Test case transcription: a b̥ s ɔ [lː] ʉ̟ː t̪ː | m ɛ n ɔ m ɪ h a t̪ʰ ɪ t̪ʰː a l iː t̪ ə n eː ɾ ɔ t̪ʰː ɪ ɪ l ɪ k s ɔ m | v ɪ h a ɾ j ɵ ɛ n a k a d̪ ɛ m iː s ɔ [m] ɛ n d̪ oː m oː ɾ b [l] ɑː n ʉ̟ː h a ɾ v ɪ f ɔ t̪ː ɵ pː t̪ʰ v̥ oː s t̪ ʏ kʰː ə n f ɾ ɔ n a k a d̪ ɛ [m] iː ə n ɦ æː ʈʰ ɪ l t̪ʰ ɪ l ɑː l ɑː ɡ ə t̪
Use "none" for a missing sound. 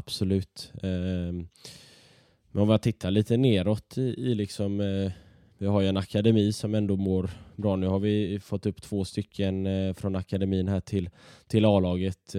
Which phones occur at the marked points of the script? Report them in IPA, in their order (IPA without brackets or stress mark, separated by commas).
l, m, ɾ, m